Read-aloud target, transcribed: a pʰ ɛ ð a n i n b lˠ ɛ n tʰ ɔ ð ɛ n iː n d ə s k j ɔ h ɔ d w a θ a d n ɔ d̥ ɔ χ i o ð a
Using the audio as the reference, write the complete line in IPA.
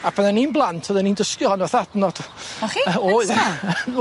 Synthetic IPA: a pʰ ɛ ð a n i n b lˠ a n tʰ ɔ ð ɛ n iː n d ə s k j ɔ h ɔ n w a θ a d n ɔ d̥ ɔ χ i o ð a